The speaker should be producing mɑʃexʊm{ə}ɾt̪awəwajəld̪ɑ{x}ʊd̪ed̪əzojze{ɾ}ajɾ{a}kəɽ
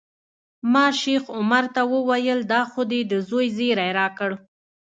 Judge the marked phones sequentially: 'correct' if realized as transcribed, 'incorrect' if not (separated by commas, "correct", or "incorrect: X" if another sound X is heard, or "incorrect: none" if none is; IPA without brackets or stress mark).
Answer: incorrect: a, correct, correct, incorrect: ɑ